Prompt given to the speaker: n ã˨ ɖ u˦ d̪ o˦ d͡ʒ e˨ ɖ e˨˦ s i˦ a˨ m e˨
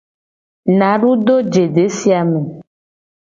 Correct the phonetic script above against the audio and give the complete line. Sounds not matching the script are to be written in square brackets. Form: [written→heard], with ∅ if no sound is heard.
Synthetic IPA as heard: n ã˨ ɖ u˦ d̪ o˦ d͡ʒ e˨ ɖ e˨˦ s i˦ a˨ m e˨